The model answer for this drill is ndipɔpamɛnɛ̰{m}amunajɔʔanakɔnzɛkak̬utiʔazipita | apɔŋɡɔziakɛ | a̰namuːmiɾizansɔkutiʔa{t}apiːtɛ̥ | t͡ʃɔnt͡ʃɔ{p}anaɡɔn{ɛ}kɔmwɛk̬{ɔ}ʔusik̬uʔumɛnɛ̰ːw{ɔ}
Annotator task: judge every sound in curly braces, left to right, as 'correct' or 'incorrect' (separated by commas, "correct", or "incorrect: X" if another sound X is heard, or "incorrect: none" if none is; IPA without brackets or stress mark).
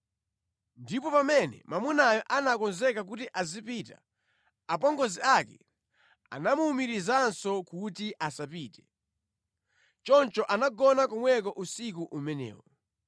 correct, incorrect: s, incorrect: ʔ, incorrect: a, correct, correct